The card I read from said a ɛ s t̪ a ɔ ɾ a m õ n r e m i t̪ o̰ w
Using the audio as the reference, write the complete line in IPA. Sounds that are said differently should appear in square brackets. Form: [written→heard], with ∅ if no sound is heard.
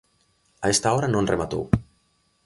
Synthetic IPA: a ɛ s t̪ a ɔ ɾ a [m→n] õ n r e m [i→a] t̪ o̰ w